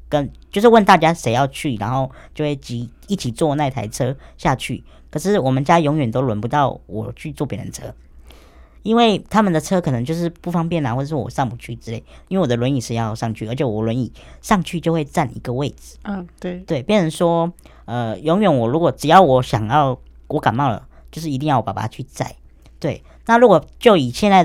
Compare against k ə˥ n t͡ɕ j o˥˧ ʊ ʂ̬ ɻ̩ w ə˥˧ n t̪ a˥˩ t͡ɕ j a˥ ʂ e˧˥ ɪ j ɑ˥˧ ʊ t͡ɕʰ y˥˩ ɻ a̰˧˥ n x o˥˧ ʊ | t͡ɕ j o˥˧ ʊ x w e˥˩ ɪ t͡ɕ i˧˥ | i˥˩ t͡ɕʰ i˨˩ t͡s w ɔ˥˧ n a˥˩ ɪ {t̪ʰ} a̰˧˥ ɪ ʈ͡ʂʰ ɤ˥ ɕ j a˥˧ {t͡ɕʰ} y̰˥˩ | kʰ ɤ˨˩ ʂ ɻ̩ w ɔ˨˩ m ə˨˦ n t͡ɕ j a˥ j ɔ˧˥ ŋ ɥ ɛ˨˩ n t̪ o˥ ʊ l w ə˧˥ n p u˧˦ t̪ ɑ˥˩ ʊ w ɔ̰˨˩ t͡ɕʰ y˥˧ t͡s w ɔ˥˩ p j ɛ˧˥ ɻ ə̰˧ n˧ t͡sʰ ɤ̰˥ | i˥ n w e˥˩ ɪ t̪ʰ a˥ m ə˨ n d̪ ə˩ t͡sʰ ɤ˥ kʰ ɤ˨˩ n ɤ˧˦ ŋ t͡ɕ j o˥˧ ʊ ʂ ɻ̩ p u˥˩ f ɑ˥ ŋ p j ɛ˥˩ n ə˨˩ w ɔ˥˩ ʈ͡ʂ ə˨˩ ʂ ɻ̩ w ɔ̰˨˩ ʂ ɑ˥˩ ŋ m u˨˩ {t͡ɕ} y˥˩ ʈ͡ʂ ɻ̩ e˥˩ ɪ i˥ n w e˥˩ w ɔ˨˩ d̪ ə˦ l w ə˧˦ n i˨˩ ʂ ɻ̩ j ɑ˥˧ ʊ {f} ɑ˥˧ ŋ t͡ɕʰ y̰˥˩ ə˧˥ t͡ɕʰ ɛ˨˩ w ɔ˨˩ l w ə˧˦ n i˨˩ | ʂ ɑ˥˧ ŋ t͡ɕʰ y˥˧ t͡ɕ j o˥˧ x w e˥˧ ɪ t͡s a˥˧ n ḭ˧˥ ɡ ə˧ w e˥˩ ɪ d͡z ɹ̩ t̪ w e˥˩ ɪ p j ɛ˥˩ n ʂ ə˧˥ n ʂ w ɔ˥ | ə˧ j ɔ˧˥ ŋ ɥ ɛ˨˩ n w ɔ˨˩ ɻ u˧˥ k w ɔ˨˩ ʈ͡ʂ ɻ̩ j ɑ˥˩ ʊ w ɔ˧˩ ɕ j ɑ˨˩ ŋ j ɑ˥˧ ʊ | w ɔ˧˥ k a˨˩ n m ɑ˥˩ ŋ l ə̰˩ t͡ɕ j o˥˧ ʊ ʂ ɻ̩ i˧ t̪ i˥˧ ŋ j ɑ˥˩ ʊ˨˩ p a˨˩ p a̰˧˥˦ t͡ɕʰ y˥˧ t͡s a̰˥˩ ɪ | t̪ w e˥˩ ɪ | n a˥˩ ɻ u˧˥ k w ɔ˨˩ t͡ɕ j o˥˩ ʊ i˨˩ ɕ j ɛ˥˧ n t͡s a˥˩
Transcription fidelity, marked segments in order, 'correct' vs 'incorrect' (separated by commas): correct, correct, incorrect, incorrect